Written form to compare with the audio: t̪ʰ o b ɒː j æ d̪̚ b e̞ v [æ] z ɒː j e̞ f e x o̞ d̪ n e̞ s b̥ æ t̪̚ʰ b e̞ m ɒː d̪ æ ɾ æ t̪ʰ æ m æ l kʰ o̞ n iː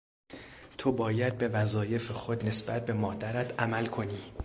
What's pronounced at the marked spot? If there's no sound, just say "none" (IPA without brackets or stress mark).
æ